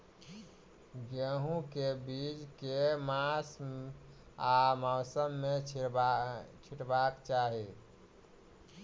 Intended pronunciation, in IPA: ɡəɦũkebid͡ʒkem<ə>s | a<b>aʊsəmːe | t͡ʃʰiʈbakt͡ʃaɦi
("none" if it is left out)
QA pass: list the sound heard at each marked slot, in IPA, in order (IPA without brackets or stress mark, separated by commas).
a, m